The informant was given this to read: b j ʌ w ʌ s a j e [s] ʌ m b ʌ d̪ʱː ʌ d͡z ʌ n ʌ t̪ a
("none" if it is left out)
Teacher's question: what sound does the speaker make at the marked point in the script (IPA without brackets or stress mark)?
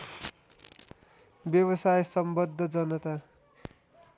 s